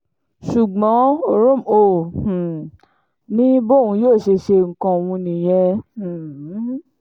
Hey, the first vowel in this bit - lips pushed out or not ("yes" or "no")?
yes